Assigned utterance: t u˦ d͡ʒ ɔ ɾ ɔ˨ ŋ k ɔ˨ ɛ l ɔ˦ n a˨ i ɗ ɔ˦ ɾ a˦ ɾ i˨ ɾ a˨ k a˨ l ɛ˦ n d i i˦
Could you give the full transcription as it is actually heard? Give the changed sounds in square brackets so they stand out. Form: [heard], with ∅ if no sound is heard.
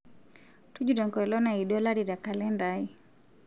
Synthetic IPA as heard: t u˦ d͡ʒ [u] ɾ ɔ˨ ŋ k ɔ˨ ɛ l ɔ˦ n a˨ i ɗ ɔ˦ [l] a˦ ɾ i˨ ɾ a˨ k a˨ l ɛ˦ n d [a] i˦